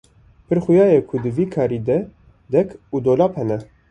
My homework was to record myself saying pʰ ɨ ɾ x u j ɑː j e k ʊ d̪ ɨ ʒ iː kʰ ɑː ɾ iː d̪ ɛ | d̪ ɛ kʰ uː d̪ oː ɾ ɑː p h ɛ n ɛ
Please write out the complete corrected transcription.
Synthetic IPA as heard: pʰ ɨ ɾ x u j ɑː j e kʰ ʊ d̪ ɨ v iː kʰ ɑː ɾ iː d̪ ɛ | d̪ ɛ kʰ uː d̪ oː l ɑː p h ɛ n ɛ